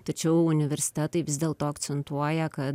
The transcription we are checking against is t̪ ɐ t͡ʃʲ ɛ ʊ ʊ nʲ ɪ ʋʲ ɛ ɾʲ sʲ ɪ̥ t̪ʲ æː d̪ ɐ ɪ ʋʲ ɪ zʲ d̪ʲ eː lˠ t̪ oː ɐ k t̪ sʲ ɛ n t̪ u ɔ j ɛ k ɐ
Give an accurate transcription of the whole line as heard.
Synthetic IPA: t̪ ɐ t͡ʃʲ ɛ ʊ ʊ nʲ ɪ ʋʲ ɛ ɾʲ sʲ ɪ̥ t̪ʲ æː t̪ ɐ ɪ ʋʲ ɪ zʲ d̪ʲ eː lˠ t̪ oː ɐ k t̪ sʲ ɛ n t̪ u ɔ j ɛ k ɐ